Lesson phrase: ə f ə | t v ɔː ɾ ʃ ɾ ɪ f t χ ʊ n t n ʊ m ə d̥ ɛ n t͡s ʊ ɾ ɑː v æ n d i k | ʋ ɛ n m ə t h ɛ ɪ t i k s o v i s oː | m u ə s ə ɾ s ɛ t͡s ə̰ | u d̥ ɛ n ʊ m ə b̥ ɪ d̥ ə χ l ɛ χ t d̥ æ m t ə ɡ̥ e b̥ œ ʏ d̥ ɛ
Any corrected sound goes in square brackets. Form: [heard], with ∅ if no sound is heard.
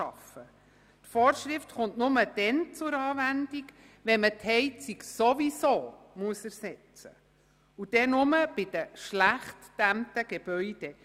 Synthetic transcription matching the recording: [ɑ] f ə | t [f] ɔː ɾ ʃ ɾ ɪ f t χ ʊ n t n ʊ m ə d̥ ɛ n t͡s ʊ ɾ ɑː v æ n d i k | ʋ ɛ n m ə t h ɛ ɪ [t͡s] i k s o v i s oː | m u ə s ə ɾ s ɛ t͡s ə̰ | u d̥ ɛ n ʊ m ə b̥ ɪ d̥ ə [ʃ] l [æ] χ t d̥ æ m t ə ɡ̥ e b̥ œ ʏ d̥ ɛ